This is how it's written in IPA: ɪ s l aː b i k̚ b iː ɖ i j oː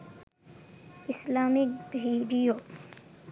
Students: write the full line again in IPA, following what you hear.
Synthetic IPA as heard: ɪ s l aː m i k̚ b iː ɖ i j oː